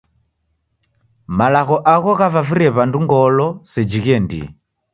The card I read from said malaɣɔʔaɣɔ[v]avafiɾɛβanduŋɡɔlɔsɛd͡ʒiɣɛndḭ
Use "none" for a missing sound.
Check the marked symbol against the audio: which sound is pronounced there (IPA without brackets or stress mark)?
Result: ɣ